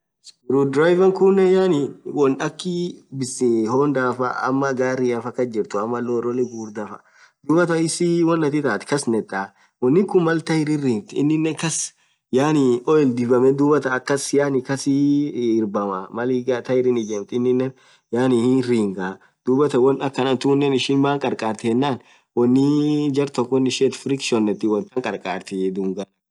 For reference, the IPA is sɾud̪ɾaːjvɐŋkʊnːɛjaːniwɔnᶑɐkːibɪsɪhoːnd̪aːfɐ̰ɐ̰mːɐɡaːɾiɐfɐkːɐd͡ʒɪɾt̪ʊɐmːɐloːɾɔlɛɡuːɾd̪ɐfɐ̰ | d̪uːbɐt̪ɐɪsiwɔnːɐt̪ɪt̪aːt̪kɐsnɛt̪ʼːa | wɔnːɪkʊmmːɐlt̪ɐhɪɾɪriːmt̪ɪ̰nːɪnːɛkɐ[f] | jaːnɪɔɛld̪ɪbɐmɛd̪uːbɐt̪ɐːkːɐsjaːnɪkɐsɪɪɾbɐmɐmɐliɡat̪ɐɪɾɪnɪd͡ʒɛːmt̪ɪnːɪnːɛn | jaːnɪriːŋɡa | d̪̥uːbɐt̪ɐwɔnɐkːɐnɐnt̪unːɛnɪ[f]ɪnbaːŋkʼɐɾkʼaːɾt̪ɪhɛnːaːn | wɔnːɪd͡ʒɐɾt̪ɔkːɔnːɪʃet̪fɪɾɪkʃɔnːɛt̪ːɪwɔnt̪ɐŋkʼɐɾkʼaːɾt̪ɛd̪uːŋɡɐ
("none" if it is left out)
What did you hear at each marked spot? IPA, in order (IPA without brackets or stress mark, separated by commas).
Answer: s, ʃ